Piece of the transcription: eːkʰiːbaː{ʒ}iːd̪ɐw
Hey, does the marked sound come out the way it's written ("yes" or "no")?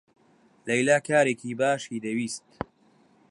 no